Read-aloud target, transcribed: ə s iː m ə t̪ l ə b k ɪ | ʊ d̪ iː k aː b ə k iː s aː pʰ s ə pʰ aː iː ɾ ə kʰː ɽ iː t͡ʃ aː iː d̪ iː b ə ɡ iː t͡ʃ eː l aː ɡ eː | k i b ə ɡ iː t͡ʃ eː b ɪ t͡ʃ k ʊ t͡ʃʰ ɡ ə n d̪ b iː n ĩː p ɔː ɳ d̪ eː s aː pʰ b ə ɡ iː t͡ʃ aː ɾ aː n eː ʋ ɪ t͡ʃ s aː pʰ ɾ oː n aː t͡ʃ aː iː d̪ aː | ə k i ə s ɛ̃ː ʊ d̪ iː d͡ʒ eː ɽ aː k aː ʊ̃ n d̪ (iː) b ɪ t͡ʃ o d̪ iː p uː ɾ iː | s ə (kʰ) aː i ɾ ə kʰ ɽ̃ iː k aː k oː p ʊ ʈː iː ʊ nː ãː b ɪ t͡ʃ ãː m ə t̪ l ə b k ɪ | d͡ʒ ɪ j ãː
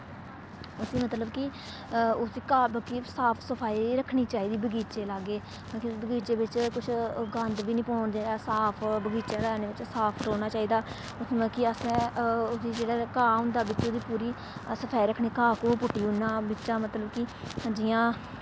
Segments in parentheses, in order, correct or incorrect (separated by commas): incorrect, incorrect